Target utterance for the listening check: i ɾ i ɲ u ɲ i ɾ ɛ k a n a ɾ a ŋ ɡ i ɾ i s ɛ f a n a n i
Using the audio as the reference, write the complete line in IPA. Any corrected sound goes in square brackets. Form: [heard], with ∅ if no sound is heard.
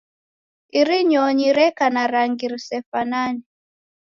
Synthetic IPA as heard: i ɾ i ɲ [ɔ] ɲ i ɾ ɛ k a n a ɾ a ŋ ɡ i ɾ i s ɛ f a n a n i